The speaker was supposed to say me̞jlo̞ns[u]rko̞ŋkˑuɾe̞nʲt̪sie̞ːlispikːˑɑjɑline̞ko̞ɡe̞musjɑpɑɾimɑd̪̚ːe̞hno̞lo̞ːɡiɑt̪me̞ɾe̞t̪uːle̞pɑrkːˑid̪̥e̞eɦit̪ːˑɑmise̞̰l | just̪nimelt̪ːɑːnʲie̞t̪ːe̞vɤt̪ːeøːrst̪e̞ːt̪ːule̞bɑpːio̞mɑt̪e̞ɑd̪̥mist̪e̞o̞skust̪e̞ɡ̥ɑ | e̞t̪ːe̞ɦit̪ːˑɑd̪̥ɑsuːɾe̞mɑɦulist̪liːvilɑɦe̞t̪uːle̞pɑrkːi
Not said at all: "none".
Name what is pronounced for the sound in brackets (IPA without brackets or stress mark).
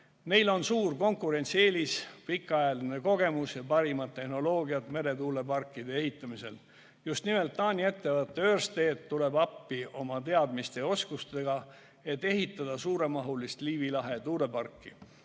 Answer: uː